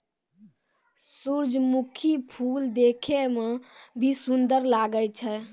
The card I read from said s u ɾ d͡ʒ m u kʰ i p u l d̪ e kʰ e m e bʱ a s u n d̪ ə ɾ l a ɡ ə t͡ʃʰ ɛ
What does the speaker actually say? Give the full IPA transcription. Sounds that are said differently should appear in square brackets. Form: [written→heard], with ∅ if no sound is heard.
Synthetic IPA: s u ɾ d͡ʒ m u kʰ i [p→pʰ] u l d̪ e kʰ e m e bʱ [a→i] s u n d̪ ə ɾ l a ɡ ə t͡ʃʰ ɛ